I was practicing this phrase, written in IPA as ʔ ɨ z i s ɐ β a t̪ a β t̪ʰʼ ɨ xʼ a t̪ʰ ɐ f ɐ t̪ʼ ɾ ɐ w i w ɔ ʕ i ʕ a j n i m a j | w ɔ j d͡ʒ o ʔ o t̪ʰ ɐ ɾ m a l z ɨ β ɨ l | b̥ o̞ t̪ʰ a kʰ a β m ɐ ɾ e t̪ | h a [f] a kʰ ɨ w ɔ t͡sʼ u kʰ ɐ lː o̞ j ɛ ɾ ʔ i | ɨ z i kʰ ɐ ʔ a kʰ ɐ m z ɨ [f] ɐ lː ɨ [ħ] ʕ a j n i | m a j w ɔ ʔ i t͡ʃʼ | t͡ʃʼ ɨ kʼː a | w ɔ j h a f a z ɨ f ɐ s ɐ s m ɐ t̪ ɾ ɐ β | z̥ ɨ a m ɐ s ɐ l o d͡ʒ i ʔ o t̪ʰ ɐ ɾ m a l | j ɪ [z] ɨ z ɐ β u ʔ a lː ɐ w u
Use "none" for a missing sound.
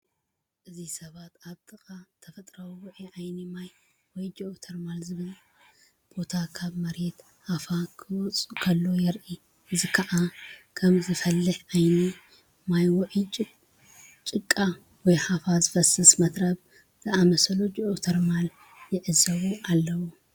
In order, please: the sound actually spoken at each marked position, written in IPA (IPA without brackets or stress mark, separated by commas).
f, f, ħ, ʕ